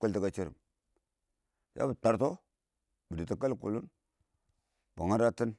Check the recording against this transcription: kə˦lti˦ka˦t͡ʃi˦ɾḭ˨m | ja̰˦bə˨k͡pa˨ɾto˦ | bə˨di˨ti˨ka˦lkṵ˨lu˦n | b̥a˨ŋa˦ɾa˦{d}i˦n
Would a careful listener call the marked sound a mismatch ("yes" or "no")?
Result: yes